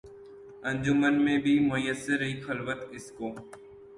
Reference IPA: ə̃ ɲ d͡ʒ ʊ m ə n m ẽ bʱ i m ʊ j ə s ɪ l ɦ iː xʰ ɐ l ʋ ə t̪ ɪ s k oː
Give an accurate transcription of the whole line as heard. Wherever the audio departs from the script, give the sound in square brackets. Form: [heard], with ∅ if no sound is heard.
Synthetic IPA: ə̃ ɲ d͡ʒ ʊ m ə n m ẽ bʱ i m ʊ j ə s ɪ [ɾ] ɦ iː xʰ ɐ l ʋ ə t̪ ɪ s k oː